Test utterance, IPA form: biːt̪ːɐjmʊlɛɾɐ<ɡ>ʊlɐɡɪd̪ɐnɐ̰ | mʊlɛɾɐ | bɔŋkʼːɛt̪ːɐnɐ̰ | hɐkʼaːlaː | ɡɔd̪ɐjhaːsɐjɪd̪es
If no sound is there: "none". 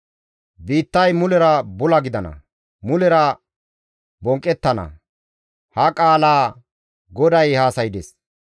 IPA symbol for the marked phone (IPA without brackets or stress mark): b